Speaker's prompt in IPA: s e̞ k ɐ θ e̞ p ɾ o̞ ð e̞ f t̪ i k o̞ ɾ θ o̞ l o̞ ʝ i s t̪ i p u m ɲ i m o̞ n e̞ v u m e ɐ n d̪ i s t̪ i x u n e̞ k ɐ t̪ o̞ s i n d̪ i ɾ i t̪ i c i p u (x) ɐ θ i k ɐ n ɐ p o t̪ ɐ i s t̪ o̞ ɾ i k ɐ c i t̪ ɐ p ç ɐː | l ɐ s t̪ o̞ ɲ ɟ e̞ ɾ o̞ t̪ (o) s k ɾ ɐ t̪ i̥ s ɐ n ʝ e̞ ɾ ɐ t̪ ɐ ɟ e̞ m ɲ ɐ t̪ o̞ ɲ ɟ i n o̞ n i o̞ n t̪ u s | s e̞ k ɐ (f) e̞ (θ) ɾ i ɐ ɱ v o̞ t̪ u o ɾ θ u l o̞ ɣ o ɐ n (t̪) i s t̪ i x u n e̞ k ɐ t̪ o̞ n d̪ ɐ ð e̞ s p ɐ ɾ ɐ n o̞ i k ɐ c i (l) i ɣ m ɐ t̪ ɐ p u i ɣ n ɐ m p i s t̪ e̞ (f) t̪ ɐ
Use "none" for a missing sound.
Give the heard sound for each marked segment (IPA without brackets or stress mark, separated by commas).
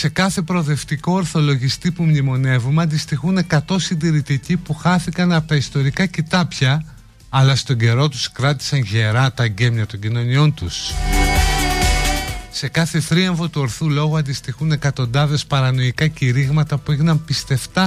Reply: x, u, θ, θ, d̪, ɾ, f